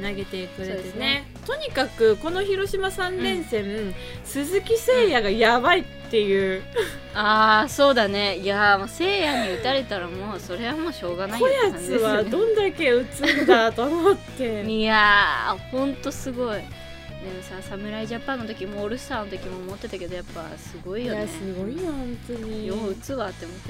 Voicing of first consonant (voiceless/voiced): voiced